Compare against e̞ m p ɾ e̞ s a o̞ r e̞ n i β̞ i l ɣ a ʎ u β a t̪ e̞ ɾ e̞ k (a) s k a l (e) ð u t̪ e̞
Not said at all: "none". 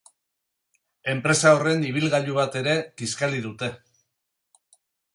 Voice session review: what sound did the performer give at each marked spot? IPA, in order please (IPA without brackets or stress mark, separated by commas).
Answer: i, i